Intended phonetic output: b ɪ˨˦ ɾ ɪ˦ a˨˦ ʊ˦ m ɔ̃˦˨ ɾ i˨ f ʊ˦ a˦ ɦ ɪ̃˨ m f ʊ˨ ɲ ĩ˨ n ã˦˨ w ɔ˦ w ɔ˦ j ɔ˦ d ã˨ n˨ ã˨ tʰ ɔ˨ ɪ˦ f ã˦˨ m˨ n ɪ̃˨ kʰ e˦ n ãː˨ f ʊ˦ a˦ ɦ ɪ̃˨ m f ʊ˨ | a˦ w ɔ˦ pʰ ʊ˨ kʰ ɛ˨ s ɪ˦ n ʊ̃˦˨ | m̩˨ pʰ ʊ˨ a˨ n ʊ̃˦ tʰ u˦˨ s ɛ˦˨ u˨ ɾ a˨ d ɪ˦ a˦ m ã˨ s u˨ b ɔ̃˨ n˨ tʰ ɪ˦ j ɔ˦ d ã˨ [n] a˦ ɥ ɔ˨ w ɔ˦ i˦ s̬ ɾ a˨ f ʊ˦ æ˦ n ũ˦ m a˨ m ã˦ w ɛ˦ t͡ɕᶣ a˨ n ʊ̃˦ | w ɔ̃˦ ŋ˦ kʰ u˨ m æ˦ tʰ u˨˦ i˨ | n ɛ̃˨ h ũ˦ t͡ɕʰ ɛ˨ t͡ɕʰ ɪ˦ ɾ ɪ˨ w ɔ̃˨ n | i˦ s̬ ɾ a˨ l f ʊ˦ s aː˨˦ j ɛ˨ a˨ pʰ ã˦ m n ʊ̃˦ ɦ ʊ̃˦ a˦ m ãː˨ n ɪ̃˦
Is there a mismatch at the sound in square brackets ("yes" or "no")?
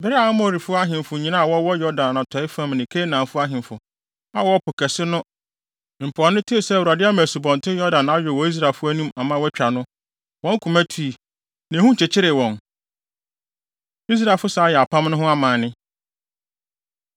no